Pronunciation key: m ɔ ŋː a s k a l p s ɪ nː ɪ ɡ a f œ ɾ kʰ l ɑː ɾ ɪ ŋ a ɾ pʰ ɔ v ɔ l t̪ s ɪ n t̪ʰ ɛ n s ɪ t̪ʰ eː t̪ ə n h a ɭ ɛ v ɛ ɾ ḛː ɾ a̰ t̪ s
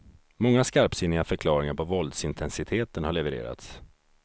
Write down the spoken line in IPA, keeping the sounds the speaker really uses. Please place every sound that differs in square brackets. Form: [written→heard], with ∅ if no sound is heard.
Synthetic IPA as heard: m ɔ ŋː a s k a [l→ɾ] p s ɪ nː ɪ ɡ a f œ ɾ kʰ l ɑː ɾ ɪ ŋ a ɾ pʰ ɔ v ɔ l [t̪→d̪] s ɪ n t̪ʰ ɛ n s ɪ t̪ʰ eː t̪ ə n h a ɭ ɛ v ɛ ɾ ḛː ɾ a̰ t̪ s